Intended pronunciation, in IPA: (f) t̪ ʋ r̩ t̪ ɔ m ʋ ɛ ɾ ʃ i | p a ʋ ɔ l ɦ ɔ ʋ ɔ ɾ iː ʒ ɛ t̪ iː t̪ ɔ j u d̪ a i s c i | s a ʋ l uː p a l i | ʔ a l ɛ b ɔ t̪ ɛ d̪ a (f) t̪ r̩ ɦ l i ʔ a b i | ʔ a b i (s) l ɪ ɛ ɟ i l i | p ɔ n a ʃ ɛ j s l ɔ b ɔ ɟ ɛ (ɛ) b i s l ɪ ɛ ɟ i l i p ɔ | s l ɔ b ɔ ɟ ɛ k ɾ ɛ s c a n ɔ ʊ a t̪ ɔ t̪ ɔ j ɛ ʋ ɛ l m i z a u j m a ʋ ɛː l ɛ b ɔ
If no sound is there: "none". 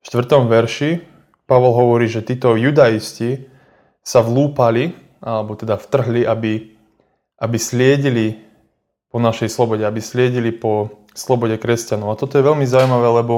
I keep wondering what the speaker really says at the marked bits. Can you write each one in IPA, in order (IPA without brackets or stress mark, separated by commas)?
ʃ, f, s, a